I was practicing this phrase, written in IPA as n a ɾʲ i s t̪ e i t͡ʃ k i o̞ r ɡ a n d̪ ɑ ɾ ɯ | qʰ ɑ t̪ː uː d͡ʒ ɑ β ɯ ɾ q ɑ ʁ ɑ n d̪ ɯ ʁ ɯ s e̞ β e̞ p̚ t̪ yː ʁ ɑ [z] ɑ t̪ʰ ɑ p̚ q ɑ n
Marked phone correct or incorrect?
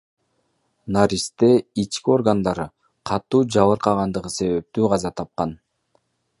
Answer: correct